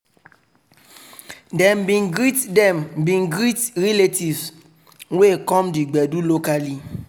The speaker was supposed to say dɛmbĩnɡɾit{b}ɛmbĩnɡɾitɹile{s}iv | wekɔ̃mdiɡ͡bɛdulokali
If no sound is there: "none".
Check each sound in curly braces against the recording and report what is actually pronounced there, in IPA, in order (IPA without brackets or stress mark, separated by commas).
d, t